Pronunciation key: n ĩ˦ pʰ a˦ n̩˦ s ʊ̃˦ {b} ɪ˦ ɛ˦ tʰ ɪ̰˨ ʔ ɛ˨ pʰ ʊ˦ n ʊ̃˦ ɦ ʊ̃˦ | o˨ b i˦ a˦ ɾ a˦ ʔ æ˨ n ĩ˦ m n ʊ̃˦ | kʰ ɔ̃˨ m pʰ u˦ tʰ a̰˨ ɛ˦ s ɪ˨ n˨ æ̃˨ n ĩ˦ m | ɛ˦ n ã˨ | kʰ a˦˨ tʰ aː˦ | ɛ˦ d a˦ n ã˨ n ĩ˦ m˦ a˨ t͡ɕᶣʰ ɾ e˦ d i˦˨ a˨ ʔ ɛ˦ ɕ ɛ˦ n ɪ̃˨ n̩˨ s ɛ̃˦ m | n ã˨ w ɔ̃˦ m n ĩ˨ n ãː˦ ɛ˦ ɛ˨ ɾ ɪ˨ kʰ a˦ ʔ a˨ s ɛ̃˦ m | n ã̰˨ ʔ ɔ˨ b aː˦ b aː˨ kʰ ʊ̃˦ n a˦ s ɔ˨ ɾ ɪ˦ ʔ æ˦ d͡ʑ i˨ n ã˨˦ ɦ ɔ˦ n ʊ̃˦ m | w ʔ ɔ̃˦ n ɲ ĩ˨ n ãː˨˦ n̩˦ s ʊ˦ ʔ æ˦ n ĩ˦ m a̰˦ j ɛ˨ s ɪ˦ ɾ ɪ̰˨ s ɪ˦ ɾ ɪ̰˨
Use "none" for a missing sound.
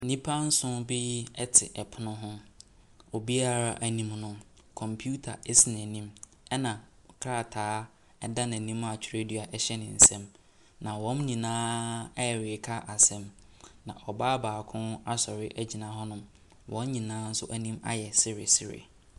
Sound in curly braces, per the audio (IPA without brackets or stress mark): b